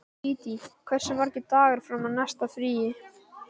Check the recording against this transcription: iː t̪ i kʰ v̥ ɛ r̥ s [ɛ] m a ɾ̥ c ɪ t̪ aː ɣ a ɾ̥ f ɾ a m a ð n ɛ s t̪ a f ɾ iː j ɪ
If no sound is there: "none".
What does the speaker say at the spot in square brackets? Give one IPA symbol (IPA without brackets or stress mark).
ɛ